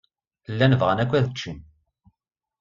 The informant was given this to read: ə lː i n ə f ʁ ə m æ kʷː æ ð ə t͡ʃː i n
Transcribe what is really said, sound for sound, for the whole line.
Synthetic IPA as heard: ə lː æ n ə v ʁ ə n æ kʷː æ ð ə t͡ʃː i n